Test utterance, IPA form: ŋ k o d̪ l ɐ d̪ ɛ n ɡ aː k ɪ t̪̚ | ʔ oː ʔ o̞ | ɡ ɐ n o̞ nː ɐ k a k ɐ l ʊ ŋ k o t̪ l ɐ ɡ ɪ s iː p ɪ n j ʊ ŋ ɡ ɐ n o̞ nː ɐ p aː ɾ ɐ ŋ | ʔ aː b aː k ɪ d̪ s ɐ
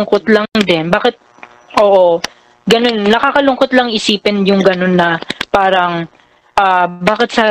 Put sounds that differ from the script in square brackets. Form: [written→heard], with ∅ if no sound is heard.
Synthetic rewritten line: ŋ k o [d̪→t̪] l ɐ d̪ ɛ n [ɡ→b] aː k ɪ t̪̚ | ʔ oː ʔ o̞ | ɡ ɐ n o̞ nː ɐ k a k ɐ l ʊ ŋ k o t̪ l ɐ [ɡ→ŋ] ɪ s iː p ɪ n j ʊ ŋ ɡ ɐ n o̞ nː ɐ p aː ɾ ɐ ŋ | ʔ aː b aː k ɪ [d̪→t̪] s ɐ